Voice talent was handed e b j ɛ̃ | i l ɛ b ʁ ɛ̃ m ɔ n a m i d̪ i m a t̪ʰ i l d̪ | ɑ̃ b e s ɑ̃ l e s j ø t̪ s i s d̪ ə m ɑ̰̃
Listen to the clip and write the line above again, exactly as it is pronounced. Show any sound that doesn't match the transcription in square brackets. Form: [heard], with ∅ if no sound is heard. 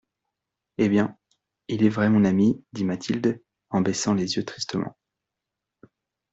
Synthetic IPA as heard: e b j ɛ̃ | i l ɛ [v] ʁ [ɛ] m [ɔ̃] n a m i d̪ i m a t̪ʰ i l d̪ | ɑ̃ b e s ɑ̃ l e [z] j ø t̪ [χ] i s [t̪] ə m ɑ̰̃